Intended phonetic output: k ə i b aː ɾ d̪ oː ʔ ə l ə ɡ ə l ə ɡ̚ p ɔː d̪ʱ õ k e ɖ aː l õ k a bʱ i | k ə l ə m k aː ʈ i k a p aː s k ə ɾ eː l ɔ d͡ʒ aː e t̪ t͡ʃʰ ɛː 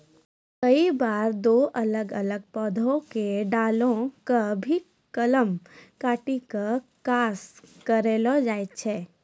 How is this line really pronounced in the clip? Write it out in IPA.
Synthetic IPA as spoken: k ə i b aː ɾ d̪ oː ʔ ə l ə ɡ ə l ə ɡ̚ p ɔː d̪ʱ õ k e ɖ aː l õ k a bʱ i | k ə l ə m k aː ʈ i k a k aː s k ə ɾ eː l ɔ d͡ʒ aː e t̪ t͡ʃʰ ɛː